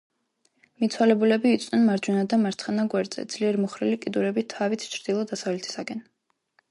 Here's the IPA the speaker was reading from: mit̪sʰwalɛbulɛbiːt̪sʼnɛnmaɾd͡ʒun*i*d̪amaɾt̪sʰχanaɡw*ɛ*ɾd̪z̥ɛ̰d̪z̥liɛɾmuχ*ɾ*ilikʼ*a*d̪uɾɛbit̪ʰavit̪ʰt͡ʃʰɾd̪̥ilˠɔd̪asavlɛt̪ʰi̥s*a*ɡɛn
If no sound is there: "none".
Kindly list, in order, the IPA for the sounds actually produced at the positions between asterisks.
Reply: a, ɛ, ɾ, i, a

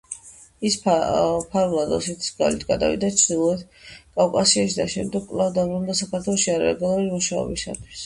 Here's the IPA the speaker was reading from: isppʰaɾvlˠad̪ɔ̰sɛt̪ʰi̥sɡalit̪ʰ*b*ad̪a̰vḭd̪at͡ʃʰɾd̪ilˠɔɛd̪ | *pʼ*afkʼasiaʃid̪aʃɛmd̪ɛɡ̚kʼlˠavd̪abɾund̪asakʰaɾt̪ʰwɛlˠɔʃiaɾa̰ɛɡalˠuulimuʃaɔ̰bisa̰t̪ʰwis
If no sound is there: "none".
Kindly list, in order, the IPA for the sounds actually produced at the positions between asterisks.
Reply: ɡ, kʼ

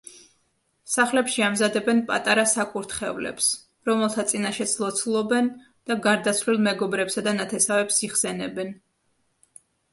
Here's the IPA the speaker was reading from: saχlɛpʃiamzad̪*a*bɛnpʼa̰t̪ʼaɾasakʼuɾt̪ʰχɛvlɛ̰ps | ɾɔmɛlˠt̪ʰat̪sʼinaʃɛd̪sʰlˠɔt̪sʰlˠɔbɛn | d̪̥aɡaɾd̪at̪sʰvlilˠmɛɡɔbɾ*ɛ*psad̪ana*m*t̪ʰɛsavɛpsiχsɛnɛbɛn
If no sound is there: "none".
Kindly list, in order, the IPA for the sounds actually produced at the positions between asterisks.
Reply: ɛ, ɛ, none

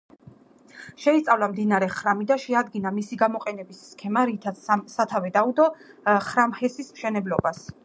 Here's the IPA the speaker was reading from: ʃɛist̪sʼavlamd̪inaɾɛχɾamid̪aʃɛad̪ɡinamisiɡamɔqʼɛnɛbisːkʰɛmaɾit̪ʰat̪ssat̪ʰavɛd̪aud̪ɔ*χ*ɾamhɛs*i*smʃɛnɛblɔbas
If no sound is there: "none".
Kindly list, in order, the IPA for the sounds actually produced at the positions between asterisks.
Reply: χ, i

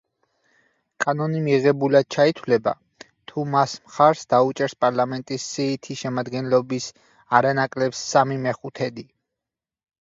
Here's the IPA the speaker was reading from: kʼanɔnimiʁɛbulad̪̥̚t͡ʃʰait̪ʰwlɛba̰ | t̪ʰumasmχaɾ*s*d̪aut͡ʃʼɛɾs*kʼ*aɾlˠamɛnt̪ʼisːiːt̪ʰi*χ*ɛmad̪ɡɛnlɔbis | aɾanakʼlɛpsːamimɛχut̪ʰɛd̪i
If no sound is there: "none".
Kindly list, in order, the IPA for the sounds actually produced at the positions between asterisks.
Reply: s, pʼ, ʃ

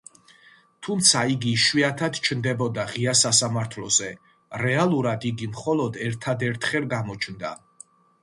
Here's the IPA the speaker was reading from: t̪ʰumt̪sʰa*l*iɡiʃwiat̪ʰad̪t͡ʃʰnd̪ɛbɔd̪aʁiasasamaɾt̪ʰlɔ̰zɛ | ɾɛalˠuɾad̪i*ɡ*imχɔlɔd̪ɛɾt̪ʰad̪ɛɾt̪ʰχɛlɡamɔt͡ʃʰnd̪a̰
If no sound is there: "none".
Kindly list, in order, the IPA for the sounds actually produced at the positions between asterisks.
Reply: none, ɡ

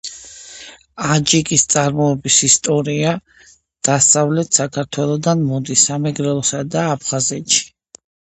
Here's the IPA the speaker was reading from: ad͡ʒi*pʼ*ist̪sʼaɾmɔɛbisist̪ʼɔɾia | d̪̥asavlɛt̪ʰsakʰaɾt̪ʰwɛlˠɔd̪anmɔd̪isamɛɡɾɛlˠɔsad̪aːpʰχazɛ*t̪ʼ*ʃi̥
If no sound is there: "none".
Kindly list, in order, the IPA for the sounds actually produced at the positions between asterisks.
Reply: kʼ, t̪

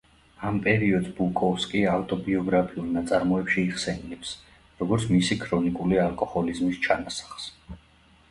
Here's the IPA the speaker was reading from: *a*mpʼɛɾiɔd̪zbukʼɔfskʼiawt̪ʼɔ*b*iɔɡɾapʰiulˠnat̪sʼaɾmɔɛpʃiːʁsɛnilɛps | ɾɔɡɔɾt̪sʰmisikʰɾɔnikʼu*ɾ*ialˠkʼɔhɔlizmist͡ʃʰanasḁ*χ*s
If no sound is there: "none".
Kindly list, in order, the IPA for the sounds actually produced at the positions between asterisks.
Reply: a, b, l, χ

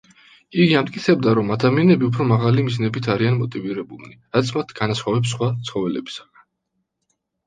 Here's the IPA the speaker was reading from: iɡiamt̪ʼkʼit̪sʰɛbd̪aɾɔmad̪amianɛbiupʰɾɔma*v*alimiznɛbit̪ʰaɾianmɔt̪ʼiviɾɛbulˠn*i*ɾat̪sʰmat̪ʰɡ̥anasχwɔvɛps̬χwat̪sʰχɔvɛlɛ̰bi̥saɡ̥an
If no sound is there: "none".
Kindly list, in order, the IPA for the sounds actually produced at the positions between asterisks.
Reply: ʁ, i

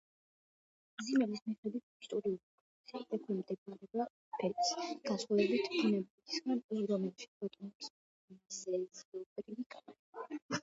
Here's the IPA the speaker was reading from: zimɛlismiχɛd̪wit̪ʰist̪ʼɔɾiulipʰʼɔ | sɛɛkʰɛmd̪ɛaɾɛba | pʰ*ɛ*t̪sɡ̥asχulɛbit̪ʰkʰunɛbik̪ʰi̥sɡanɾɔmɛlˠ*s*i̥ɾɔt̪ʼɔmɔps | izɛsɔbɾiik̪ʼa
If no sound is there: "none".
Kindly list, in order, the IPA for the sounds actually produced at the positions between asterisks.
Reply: ɛ, ʃ

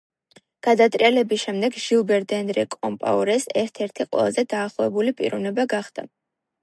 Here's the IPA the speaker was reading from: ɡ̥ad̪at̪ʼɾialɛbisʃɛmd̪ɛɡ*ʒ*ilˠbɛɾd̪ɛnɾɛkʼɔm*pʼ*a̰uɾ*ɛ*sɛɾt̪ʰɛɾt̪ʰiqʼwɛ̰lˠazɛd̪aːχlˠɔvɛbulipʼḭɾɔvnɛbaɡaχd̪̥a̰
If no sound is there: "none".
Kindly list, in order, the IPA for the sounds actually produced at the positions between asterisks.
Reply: ʒ, pʼ, ɛ

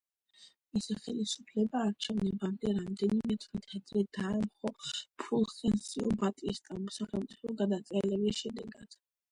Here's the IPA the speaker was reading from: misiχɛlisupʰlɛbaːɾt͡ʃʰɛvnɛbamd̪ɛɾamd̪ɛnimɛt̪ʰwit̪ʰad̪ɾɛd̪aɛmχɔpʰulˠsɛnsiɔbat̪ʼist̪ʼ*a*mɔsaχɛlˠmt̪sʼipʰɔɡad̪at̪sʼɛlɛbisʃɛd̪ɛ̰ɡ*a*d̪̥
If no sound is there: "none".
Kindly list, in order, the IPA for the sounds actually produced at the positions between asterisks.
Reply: a, a

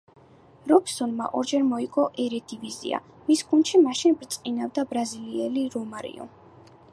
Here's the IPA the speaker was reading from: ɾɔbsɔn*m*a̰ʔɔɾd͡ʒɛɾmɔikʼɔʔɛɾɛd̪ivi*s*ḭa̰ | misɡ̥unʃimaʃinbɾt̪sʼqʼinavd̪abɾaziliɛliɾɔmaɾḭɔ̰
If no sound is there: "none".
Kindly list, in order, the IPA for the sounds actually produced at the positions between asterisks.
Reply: m, z

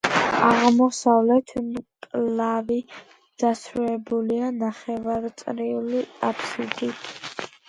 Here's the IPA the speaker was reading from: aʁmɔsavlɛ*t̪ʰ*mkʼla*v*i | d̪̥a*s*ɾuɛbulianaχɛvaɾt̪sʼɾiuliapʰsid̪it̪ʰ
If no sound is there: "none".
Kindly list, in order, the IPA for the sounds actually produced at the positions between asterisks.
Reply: t̪ʰ, v, s

